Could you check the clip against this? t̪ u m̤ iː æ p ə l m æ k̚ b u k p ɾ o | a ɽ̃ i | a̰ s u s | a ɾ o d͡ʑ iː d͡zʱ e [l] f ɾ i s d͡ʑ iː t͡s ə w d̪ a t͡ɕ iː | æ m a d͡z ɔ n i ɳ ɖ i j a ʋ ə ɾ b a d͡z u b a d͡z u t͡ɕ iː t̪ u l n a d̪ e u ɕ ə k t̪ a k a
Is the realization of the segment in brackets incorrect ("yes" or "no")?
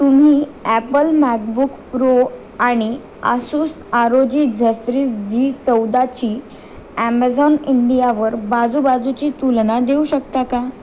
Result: yes